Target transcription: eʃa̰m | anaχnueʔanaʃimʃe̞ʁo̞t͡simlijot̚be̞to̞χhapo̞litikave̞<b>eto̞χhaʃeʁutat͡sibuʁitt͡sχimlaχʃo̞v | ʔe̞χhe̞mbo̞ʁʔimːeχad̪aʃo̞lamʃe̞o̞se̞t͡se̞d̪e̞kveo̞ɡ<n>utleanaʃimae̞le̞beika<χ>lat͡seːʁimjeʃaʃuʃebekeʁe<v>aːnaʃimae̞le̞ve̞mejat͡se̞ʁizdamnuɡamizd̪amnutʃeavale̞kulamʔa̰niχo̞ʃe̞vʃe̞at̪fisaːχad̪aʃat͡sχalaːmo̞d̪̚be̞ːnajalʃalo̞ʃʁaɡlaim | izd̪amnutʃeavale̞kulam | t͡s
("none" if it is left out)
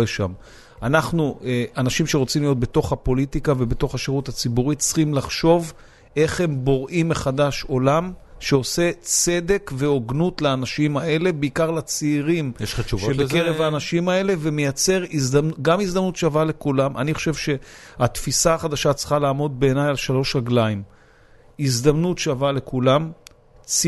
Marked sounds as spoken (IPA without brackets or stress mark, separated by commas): b, n, ʁ, v